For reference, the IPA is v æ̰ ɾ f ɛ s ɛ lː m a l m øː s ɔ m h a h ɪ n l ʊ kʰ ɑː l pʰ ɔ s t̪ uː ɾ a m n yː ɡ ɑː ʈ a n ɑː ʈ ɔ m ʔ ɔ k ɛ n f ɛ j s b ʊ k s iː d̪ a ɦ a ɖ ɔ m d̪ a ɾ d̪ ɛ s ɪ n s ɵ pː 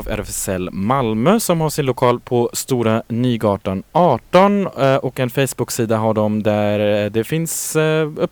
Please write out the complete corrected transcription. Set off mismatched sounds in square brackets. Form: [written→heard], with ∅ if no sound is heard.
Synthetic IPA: v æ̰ ɾ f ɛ s ɛ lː m a l m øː s ɔ m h a [h→ʂ] ɪ n l ʊ kʰ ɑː l pʰ ɔ s t̪ uː ɾ a [m→∅] n yː ɡ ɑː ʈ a n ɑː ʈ ɔ [m→n] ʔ ɔ k ɛ n f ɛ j s b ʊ k s iː d̪ a ɦ a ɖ ɔ m d̪ [a→æ] ɾ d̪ ɛ [s→f] ɪ n s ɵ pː